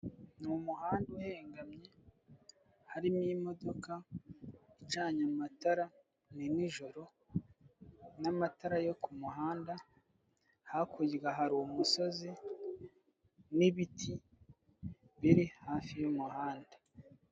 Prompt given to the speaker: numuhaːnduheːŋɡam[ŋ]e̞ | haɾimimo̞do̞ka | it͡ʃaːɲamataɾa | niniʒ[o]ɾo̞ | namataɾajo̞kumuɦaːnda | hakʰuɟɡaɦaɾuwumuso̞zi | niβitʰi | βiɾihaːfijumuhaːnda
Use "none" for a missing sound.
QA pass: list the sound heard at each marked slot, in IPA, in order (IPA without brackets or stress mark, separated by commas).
ɲ, o